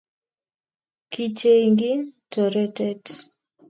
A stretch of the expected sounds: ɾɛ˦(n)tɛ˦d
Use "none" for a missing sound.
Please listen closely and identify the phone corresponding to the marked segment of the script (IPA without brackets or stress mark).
none